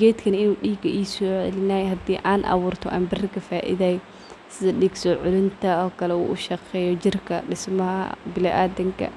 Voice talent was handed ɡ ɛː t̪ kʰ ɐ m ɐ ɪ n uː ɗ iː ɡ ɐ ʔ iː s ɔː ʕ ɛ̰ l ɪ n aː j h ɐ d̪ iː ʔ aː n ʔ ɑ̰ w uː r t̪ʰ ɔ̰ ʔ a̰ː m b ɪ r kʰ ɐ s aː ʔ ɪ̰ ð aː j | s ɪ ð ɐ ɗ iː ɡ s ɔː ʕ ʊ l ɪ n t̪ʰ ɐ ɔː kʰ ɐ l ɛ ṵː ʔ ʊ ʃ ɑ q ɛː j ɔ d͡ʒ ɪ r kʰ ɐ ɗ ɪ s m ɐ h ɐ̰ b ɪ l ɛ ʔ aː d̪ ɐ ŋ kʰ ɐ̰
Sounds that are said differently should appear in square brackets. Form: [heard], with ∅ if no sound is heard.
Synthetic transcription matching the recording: ɡ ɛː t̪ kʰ ɐ [n] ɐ ɪ n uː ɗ iː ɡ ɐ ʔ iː s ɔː ʕ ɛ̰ l ɪ n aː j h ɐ d̪ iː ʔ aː n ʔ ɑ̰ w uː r t̪ʰ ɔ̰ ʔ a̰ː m b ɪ r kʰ ɐ [f] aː ʔ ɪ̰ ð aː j | s ɪ ð ɐ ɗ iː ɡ s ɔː ʕ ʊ l ɪ n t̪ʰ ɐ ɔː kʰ ɐ l ɛ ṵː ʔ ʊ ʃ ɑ q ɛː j ɔ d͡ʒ ɪ r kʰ ɐ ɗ ɪ s m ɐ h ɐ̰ b ɪ l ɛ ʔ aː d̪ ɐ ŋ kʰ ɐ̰